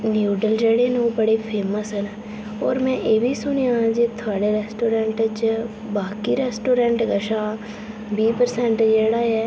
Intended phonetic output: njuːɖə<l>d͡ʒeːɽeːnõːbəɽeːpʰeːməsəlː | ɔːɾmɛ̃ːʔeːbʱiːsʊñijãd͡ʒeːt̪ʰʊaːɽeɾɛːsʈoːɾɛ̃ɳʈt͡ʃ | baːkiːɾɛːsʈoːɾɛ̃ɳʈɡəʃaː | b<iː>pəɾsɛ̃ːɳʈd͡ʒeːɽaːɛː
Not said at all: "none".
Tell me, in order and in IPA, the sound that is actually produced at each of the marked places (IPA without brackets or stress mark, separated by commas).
l, iː